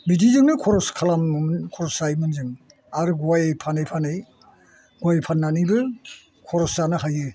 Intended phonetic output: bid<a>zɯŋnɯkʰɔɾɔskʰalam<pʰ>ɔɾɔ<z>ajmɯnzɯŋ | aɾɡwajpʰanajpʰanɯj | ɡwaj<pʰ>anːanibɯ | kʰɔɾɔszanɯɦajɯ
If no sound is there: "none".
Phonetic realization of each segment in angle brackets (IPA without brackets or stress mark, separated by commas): i, kʰ, s, pʰ